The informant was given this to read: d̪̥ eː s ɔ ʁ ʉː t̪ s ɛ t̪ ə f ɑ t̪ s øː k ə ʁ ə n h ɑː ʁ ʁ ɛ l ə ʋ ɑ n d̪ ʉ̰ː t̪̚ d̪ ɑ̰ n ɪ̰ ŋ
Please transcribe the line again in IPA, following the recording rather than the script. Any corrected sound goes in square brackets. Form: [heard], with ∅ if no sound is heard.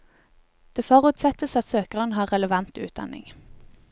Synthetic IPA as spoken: d̪̥ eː [f] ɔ ʁ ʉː t̪ s ɛ t̪ ə [s] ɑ t̪ s øː k ə ʁ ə n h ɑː ʁ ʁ ɛ l ə ʋ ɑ n [t̪] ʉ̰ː t̪̚ d̪ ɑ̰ n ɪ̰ ŋ